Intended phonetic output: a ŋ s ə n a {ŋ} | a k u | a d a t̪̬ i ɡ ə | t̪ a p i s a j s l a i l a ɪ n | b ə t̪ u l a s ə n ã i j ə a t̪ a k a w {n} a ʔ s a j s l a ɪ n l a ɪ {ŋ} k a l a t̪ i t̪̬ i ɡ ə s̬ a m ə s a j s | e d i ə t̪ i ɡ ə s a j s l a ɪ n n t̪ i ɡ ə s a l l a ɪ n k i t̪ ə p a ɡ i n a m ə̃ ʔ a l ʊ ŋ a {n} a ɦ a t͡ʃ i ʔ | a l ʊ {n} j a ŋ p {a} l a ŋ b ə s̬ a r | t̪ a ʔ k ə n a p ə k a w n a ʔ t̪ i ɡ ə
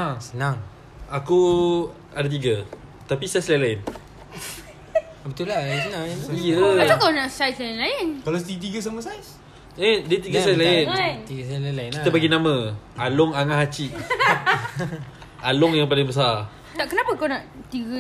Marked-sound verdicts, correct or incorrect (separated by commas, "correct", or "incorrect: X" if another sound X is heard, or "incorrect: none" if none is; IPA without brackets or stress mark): correct, correct, incorrect: n, incorrect: ŋ, incorrect: ŋ, correct